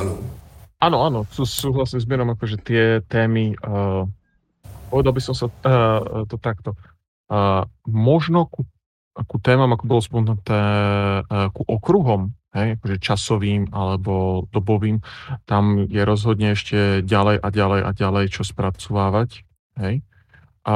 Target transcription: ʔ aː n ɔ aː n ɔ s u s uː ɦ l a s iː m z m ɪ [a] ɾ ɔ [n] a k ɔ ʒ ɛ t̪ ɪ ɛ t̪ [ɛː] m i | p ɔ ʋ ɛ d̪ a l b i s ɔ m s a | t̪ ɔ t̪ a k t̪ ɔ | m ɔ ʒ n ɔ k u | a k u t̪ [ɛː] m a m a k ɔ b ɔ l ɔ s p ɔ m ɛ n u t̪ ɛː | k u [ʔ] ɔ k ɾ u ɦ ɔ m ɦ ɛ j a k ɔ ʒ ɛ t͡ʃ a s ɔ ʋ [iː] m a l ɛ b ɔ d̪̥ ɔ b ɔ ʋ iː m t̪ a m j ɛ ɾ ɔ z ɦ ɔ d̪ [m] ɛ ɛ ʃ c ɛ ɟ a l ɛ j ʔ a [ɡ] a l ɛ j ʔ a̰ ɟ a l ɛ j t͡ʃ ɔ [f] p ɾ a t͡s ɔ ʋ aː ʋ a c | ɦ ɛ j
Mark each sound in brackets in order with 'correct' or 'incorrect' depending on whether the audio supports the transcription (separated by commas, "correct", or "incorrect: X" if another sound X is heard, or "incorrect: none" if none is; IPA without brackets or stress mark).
incorrect: ɛ, incorrect: m, correct, correct, correct, correct, incorrect: ɲ, incorrect: ɟ, incorrect: s